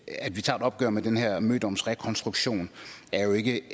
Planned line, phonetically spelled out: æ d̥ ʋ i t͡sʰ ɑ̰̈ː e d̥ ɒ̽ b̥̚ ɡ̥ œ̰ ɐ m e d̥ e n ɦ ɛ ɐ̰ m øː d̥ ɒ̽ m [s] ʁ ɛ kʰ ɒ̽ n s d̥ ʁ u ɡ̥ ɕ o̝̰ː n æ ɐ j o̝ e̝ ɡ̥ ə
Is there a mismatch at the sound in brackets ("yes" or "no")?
no